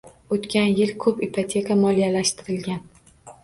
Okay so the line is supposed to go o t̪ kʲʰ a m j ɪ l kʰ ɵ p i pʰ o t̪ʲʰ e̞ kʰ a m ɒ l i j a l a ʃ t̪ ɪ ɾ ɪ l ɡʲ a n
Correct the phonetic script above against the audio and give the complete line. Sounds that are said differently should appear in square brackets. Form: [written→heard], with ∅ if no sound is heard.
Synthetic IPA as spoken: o t̪ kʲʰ a [m→n] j ɪ l kʰ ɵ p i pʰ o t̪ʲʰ e̞ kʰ a m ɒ l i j a l a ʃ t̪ ɪ ɾ ɪ l ɡʲ a n